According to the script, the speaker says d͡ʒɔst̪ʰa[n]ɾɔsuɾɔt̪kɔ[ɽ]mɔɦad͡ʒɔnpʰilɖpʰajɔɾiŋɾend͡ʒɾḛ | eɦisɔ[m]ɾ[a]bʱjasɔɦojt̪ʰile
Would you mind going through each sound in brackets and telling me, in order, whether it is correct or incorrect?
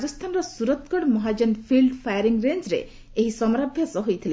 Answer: correct, correct, correct, correct

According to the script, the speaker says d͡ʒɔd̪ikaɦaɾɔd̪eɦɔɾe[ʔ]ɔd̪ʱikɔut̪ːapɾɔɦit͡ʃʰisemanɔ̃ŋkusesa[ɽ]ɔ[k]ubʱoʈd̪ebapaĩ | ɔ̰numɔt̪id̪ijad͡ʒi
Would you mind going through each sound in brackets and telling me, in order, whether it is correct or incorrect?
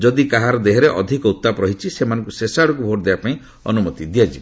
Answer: correct, correct, correct

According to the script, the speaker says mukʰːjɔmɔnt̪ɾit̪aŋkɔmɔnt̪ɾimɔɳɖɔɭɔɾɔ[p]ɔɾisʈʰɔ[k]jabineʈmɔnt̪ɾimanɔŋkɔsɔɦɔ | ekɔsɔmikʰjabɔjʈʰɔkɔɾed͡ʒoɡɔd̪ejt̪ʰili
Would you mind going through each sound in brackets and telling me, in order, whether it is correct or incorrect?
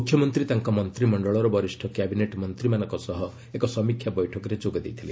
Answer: incorrect: b, correct

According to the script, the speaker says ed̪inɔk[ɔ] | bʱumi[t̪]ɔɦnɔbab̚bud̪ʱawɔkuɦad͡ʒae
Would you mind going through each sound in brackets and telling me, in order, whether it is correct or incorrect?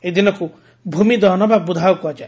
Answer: incorrect: u, incorrect: d̪

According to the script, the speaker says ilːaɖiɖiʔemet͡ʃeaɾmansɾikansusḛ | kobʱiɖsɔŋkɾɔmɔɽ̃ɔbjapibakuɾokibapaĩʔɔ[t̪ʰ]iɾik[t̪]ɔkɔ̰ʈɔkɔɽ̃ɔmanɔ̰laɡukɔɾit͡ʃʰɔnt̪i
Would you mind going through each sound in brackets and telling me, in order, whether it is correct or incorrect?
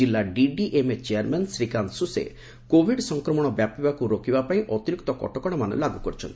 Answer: incorrect: t̪, correct

